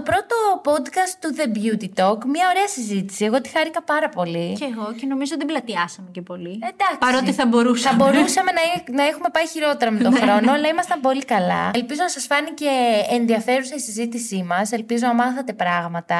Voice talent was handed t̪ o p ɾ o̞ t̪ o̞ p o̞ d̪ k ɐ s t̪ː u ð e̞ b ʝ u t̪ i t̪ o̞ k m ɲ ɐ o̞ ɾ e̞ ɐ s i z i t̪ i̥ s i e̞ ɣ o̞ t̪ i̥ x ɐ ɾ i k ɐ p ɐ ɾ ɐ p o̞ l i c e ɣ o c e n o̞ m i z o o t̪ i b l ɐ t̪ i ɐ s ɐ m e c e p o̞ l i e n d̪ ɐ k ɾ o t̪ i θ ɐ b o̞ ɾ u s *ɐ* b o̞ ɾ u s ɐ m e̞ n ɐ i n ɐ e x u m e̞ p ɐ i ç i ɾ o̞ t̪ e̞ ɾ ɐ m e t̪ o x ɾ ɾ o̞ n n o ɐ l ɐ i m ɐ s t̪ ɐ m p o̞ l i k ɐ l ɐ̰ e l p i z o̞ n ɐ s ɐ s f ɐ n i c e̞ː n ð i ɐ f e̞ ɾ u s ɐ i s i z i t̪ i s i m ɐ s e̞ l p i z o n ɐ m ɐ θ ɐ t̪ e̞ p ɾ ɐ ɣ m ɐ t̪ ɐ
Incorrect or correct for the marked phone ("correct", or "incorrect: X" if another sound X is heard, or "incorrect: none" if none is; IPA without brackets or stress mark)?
correct